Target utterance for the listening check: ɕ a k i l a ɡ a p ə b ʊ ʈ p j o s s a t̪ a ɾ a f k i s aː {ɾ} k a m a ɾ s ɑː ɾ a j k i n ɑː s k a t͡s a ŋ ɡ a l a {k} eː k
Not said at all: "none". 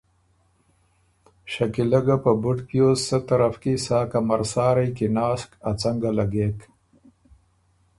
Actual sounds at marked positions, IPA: none, ɡ

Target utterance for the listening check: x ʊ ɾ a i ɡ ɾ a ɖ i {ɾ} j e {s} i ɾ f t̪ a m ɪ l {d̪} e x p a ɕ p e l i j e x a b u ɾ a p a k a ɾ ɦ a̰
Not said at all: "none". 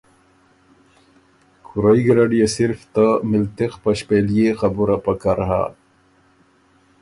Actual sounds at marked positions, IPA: none, s, t̪

